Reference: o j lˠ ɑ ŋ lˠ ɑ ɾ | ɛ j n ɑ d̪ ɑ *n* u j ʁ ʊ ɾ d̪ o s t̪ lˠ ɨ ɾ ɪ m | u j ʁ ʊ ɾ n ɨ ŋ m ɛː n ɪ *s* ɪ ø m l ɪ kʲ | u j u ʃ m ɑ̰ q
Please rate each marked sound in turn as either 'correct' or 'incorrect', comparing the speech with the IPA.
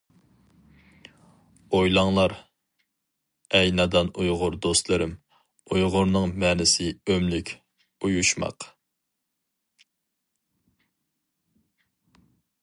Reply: correct, correct

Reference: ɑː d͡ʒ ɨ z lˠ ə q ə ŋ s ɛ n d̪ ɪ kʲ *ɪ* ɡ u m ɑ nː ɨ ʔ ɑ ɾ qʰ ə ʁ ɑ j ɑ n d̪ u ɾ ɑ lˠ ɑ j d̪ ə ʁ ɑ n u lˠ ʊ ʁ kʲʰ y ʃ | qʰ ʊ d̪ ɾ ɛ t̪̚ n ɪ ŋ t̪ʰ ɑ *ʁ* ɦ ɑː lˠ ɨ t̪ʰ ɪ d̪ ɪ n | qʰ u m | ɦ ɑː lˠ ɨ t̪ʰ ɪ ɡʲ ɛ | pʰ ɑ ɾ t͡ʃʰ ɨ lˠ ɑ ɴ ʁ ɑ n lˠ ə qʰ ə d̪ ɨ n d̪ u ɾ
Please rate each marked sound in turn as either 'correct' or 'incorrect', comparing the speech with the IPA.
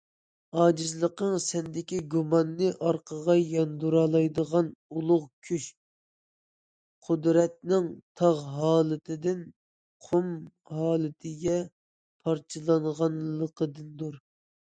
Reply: incorrect, correct

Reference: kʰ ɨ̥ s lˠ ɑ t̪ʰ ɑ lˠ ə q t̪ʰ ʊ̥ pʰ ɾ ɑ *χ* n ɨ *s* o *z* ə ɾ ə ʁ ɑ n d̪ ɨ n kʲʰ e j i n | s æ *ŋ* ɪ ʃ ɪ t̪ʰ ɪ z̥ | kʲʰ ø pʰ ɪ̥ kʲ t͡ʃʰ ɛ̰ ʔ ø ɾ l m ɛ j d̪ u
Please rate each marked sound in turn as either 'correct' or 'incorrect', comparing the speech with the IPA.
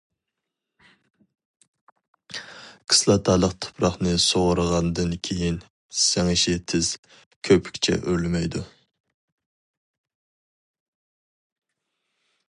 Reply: correct, correct, incorrect, correct

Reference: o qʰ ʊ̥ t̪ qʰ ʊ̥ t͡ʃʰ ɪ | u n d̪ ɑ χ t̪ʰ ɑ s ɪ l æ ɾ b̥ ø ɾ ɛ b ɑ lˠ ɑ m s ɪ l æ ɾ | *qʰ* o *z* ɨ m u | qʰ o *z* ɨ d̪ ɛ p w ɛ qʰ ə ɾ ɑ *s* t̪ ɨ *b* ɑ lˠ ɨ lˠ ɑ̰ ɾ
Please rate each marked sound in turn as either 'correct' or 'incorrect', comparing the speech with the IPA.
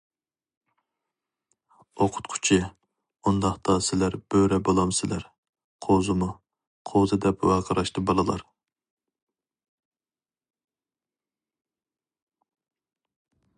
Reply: correct, correct, correct, incorrect, correct

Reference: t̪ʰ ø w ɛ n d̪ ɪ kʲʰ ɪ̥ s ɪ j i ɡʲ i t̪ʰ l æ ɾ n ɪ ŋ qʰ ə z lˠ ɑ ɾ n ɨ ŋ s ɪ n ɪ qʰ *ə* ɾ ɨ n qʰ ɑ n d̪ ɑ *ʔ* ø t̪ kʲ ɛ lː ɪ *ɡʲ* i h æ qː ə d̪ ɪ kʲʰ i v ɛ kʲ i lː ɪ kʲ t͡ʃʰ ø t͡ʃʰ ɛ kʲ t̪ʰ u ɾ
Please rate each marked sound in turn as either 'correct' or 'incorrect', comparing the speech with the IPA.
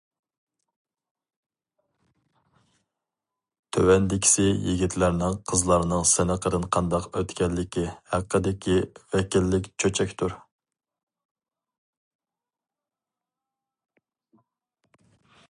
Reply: correct, incorrect, incorrect

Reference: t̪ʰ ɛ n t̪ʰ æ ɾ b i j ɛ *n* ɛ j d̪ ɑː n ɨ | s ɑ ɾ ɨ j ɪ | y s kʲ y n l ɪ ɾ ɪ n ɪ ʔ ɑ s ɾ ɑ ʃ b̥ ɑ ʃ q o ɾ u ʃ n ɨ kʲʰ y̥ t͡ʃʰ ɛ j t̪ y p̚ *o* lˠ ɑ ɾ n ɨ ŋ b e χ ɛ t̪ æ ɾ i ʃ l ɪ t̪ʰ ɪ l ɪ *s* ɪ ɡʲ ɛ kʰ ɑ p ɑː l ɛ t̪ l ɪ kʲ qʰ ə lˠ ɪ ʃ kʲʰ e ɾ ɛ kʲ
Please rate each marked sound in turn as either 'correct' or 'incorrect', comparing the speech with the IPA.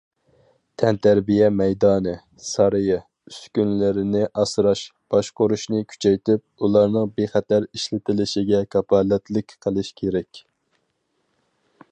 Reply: incorrect, incorrect, incorrect

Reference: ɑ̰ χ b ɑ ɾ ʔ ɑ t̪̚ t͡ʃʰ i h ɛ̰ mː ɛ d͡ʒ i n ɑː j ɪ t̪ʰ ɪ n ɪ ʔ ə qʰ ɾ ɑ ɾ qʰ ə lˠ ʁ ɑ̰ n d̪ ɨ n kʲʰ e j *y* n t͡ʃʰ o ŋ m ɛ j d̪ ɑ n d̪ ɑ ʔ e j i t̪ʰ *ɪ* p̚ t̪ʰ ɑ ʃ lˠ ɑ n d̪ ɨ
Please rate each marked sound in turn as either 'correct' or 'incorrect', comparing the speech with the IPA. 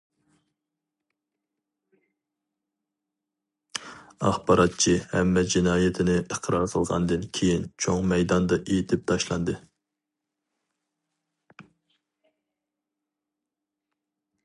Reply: incorrect, correct

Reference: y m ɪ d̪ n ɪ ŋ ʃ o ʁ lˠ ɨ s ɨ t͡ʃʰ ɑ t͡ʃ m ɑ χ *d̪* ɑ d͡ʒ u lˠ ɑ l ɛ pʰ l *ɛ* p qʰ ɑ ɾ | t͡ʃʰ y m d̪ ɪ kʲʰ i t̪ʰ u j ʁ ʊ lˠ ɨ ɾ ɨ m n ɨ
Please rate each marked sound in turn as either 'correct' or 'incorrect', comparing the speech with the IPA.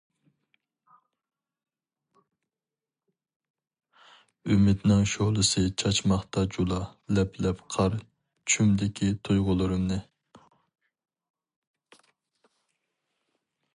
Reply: incorrect, correct

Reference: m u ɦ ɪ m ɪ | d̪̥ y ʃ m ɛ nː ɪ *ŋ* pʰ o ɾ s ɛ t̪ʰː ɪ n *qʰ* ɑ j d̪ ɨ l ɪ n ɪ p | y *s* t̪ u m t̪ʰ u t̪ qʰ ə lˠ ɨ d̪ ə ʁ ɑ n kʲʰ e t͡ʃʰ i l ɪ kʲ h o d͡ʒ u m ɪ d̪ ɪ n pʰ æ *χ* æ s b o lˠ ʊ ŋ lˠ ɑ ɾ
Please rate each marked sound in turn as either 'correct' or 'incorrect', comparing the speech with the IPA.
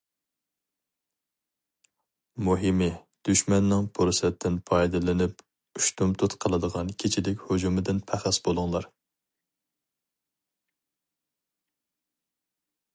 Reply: correct, incorrect, incorrect, correct

